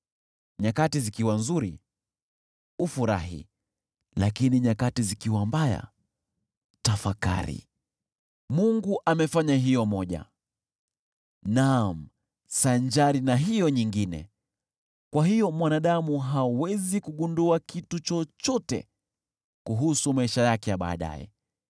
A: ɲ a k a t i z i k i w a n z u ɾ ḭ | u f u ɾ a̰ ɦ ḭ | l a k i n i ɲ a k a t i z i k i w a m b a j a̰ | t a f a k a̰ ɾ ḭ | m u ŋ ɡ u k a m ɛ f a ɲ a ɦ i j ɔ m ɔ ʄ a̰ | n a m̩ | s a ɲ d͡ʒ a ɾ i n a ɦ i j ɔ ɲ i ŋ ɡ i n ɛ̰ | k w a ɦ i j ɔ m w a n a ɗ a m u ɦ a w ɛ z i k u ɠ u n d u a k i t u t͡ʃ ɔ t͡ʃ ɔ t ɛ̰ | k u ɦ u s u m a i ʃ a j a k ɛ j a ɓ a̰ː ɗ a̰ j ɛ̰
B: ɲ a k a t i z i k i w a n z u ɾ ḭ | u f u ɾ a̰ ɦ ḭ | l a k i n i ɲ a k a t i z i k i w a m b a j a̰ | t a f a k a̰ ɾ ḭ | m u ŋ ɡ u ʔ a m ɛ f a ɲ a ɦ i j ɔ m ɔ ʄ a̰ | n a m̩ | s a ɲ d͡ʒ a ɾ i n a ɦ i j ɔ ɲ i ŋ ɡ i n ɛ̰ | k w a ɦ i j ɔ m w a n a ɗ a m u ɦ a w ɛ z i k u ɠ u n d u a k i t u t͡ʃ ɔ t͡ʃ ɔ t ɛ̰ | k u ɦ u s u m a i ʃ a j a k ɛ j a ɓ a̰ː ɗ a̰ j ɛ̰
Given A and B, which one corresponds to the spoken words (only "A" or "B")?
B